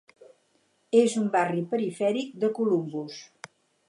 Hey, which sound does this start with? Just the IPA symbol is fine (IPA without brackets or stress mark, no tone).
e